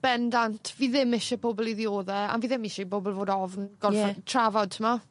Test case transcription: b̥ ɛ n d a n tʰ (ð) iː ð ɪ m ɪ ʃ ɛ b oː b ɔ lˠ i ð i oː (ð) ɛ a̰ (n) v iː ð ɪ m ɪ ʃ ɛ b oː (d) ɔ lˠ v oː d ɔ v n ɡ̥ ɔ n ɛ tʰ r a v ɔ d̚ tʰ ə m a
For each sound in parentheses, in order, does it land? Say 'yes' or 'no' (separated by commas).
no, yes, yes, no